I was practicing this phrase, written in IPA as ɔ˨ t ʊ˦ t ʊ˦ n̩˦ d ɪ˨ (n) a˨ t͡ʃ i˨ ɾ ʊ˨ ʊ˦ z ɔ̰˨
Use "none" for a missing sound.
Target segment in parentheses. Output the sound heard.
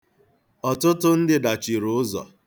d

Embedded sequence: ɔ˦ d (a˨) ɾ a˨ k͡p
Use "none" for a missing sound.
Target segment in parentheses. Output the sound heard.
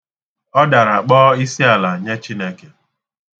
a˨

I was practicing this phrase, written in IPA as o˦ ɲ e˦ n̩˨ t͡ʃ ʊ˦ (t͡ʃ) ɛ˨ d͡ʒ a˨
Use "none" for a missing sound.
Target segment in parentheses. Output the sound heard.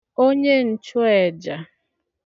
none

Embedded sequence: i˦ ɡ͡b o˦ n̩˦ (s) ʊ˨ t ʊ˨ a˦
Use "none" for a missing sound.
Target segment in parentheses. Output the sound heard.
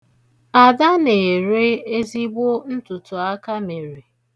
t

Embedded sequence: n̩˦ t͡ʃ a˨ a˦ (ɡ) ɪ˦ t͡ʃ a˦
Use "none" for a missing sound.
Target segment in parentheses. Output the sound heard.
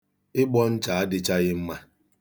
d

